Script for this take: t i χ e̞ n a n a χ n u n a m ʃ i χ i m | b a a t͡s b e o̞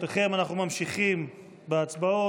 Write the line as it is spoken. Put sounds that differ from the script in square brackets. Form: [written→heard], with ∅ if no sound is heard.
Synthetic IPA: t [i→e] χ e̞ [n→m] a n a χ n u [n→m] a m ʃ i χ i m | b [a→e] a t͡s b [e→a] o̞